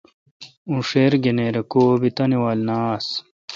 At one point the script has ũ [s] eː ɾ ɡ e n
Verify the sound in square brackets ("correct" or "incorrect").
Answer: incorrect